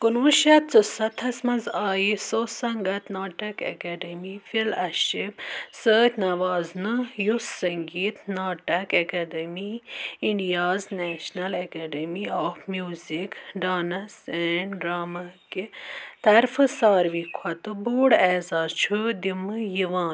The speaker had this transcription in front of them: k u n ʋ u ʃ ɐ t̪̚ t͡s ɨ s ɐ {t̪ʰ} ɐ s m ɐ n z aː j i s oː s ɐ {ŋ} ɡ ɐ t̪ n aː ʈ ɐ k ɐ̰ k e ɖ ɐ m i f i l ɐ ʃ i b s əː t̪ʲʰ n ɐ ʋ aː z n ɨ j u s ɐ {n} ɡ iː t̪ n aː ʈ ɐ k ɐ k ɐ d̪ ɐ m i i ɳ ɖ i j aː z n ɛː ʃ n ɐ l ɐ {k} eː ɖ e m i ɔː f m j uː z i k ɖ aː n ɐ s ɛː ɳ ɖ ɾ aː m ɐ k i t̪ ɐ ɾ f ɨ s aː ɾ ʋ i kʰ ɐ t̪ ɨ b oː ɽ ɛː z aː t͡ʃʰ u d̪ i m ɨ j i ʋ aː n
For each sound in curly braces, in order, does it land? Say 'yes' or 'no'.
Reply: yes, yes, no, yes

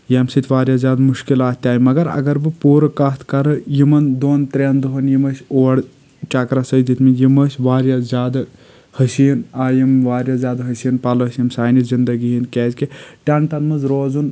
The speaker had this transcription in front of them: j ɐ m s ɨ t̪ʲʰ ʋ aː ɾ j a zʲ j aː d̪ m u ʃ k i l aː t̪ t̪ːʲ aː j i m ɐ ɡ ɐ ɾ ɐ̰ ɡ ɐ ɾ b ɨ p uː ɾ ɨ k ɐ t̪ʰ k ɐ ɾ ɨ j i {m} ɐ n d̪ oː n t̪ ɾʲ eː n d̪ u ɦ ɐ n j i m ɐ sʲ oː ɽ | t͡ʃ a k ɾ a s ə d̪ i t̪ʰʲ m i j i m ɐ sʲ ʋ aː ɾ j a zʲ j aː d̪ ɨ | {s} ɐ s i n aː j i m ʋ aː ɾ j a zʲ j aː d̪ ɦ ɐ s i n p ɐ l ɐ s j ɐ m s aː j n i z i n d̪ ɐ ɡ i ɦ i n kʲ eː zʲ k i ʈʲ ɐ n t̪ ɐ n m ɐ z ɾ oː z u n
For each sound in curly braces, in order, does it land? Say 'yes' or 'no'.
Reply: yes, no

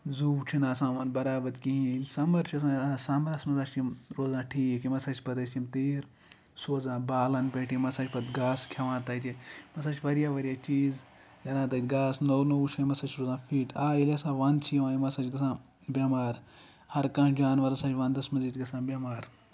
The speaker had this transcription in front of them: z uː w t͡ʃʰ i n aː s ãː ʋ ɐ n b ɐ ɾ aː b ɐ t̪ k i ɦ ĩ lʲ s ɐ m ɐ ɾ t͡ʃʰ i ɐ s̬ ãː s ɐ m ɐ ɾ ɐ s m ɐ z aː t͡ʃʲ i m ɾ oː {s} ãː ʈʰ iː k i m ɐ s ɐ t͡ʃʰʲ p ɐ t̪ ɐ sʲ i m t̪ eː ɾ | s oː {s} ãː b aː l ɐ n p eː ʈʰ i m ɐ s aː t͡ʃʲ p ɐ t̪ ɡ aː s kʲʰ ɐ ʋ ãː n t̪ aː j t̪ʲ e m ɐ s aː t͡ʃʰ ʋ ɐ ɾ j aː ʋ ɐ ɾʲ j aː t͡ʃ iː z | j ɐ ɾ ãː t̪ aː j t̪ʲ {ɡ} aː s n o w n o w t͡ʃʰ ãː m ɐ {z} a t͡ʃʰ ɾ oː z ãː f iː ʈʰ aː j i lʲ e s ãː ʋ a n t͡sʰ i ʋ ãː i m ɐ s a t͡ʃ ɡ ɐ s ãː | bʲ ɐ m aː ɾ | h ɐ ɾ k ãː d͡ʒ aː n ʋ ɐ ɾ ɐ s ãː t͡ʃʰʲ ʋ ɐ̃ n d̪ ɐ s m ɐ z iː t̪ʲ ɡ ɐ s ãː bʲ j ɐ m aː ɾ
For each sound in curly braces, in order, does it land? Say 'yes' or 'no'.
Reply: no, no, yes, no

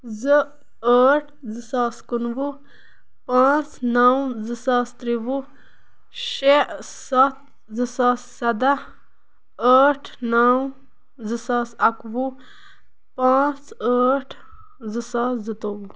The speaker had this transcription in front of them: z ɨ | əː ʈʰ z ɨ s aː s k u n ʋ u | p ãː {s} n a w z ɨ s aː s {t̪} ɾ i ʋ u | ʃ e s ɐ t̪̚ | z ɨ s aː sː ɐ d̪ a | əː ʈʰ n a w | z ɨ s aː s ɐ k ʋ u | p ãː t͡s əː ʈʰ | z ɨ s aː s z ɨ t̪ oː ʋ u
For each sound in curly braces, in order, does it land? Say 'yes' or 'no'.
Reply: no, yes

